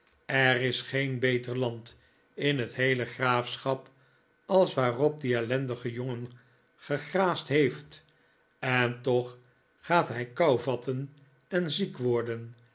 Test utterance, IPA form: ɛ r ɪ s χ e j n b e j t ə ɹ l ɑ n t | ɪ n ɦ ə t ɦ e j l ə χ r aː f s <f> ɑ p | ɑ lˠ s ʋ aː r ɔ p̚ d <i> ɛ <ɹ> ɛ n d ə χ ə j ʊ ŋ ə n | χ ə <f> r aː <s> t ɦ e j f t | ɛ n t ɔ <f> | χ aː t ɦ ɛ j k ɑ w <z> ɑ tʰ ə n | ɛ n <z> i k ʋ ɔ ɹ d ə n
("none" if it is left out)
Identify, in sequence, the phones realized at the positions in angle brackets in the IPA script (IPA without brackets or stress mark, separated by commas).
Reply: χ, i, l, χ, s, χ, v, z